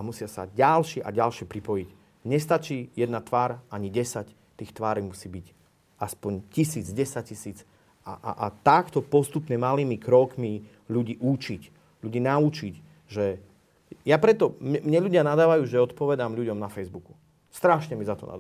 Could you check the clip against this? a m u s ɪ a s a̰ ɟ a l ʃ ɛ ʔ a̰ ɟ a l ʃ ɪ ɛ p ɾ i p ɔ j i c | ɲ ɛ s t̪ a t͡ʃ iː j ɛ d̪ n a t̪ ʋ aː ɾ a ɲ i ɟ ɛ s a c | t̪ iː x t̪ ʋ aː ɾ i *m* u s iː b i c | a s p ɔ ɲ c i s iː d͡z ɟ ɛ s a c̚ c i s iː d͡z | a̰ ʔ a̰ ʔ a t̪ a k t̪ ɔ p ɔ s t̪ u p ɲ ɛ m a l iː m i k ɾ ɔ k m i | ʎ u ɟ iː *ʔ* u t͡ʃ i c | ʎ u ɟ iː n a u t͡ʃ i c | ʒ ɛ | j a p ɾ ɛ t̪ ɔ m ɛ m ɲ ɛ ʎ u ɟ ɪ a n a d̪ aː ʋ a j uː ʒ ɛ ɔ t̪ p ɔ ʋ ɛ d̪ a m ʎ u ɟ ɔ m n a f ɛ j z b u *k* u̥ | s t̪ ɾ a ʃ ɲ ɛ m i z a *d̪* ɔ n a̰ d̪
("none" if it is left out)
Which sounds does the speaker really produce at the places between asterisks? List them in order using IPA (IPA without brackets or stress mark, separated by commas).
m, ʔ, k, t̪